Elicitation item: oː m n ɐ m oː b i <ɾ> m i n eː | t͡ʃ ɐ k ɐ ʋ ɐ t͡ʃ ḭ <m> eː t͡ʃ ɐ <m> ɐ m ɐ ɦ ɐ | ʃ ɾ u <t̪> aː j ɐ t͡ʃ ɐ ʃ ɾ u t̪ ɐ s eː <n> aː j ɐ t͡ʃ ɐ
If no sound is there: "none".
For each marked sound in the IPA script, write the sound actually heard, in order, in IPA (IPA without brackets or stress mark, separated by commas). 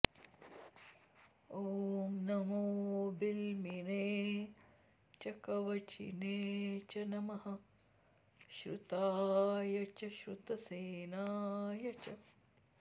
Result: l, n, n, t̪, n